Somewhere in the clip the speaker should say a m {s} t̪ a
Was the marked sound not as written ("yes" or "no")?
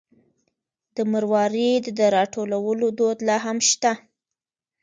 yes